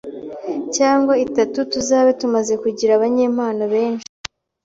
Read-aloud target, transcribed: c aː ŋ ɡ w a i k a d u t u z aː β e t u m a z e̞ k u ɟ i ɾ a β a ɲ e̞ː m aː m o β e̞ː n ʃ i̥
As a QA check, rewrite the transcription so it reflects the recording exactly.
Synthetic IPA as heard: c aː ŋ ɡ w a i t a t u t u z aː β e t u m a z e̞ k u ɟ i ɾ a β a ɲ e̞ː m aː n o β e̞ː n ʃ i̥

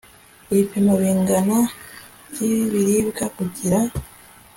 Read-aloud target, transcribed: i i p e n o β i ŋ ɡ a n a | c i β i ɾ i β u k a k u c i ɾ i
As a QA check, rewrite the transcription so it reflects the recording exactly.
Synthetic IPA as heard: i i p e m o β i ŋ ɡ a n a | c i β i ɾ i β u k a k u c i ɾ a

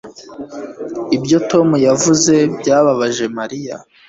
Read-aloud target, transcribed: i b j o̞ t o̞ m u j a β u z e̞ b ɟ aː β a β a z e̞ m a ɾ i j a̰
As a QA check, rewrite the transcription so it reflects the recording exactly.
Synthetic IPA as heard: i b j o̞ t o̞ m u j a v u z e̞ b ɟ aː β a β a ʒ e̞ m a ɾ i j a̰

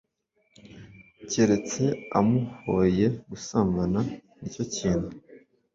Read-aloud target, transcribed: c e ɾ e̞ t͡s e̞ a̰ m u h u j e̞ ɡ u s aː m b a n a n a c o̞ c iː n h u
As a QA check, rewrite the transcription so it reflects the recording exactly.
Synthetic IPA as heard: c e ɾ e̞ t͡s e̞ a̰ m u h o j e̞ ɡ u s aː m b a n a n i c o̞ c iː n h u

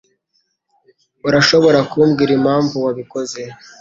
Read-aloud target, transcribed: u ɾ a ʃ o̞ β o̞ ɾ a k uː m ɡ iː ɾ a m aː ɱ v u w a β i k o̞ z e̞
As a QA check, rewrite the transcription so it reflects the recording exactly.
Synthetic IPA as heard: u ɾ a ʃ o̞ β o̞ ɾ a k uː m ɡ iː ɾ i m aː ɱ v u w a β i k o̞ z e̞

